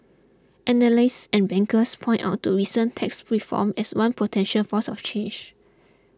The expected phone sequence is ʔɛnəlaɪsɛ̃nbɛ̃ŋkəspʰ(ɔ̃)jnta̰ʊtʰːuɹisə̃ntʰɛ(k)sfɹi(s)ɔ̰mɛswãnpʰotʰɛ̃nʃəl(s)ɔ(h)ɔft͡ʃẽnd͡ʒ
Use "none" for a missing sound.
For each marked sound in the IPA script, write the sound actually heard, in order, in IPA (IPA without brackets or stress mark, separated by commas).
ɔ̃, k, f, f, s